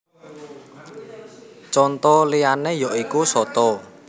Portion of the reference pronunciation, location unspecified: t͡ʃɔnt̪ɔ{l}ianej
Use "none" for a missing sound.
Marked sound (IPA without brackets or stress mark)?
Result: l